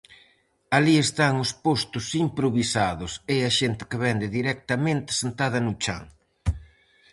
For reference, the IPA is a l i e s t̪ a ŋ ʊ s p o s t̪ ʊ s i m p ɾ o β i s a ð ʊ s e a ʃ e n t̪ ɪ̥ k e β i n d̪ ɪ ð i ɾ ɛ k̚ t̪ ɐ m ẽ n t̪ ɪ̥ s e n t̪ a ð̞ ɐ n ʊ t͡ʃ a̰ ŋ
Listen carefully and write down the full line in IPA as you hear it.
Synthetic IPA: a l i e s t̪ a ŋ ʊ s p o s t̪ ʊ s i m p ɾ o β i s a ð ʊ s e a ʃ e n t̪ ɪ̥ k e β ɛ n d̪ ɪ ð i ɾ ɛ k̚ t̪ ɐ m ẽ n t̪ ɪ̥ s e n t̪ a ð̞ ɐ n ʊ t͡ʃ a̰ ŋ

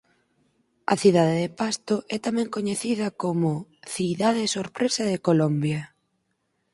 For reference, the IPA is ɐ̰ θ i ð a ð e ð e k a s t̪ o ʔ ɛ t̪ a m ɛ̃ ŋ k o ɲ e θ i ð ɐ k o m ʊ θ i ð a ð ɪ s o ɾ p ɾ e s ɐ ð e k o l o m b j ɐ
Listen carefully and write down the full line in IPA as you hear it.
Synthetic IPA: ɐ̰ θ i ð a ð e ð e p a s t̪ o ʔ ɛ t̪ a m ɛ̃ ŋ k o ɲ e θ i ð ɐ k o m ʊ θ i ð a ð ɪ s o ɾ p ɾ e s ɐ ð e k o l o m b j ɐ

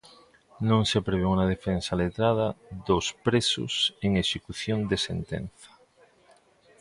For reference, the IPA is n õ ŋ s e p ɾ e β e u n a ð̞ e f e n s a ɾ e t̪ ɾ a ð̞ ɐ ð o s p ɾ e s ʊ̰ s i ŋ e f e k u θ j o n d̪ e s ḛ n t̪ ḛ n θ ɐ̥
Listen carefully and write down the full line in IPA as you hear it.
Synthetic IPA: n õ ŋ s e p ɾ e β e u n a ð̞ e f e n s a l e t̪ ɾ a ð̞ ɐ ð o s p ɾ e s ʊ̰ s e ŋ e ʃ e k u θ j o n d̪ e s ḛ n t̪ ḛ n θ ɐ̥

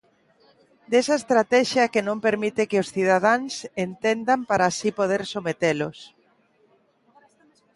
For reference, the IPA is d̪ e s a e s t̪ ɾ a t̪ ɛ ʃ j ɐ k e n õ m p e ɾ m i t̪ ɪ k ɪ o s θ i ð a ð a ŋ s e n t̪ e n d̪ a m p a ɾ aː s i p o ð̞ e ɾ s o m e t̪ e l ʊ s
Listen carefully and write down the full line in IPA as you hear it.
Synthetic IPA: d̪ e s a e s t̪ ɾ a t̪ ɛ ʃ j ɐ k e n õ m p e ɾ m i t̪ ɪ k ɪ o s θ i ð a ð a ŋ s e n t̪ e n d̪ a m p a ɾ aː s i p o ð̞ e ɾ s o m e t̪ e l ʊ s

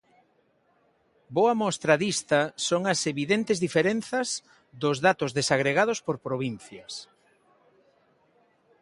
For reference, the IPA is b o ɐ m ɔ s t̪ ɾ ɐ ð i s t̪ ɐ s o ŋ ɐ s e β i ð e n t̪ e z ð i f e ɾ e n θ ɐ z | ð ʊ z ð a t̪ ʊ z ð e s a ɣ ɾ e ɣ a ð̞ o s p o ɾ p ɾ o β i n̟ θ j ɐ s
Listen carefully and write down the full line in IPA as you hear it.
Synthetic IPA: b o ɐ m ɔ s t̪ ɾ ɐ ð i s t̪ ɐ s o ŋ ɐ s e β i ð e n t̪ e z ð i f e ɾ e n θ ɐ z | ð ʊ z ð a t̪ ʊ z ð e s a ɣ ɾ e ɣ a ð̞ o s p o ɾ p ɾ o β i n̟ θ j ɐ s

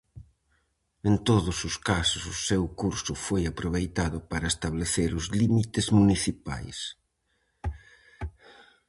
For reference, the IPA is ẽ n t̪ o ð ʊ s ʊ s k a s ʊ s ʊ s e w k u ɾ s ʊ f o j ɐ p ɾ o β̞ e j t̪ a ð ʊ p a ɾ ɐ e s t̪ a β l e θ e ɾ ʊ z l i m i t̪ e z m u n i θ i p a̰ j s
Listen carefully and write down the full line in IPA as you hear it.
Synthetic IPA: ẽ n t̪ o ð ʊ s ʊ s k a s ʊ s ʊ s e w k u ɾ s ʊ f o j a p ɾ o β̞ e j t̪ a ð ʊ p a ɾ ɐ e s t̪ a β l e θ e ɾ ʊ z l i m i t̪ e z m u n i θ i p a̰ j s

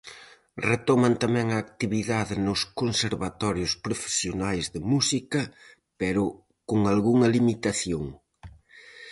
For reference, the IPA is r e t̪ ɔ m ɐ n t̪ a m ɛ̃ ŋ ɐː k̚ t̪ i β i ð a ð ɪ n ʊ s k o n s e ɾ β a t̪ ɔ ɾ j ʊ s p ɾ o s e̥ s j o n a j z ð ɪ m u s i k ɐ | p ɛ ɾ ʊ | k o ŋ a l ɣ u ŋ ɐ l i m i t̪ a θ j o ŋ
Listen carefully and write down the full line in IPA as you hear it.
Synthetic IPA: r e t̪ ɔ m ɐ n t̪ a m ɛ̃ ŋ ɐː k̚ t̪ i β i ð a ð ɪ n ʊ s k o n s e ɾ β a t̪ ɔ ɾ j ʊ s p ɾ o f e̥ s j o n a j z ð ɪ m u s i k ɐ | p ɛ ɾ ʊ | k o ŋ a l ɣ u ŋ ɐ l i m i t̪ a θ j o ŋ

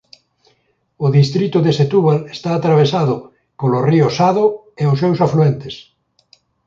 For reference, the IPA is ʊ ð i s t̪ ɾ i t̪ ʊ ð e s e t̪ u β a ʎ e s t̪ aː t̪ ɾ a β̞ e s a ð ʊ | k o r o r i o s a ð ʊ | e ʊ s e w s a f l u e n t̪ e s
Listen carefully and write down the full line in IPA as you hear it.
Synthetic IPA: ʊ ð i s t̪ ɾ i t̪ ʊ ð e s e t̪ u β a l e s t̪ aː t̪ ɾ a β̞ e s a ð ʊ | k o l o r i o s a ð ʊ | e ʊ s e w s a f l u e n t̪ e s

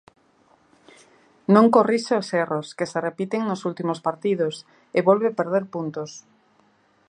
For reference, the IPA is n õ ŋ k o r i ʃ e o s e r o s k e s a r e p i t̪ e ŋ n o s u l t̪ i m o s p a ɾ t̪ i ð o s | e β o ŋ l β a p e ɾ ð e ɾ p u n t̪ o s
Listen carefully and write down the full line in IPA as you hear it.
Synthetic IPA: n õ ŋ k o r i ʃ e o s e r o s k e s e r e p i t̪ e ŋ n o s u l t̪ i m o s p a ɾ t̪ i ð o s | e β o l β e p e ɾ ð e ɾ p u n t̪ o s

